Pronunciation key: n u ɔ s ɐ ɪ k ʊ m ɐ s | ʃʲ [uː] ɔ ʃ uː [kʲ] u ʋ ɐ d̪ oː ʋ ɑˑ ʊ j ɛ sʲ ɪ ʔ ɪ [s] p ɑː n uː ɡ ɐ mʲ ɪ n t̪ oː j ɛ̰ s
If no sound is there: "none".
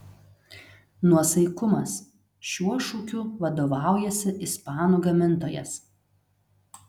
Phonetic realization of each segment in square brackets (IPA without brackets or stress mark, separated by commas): u, kʲ, s